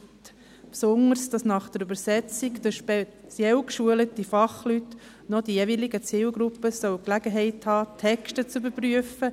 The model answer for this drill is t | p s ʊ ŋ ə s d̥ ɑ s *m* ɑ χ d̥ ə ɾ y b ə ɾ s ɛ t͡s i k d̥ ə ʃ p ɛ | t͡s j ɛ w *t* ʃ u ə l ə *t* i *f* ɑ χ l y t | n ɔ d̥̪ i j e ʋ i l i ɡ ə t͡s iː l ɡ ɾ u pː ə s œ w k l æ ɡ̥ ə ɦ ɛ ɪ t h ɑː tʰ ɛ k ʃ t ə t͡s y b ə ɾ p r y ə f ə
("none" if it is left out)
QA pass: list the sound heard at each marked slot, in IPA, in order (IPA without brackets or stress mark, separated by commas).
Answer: n, k, t, f